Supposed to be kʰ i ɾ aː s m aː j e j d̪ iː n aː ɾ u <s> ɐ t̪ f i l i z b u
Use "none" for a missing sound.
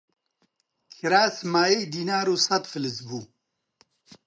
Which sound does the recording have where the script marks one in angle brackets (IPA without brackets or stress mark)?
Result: s